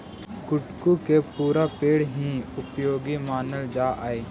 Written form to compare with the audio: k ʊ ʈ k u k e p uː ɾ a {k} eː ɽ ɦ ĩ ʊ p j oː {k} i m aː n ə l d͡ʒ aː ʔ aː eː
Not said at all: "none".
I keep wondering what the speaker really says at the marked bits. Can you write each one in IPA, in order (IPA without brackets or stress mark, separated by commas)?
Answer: p, ɡ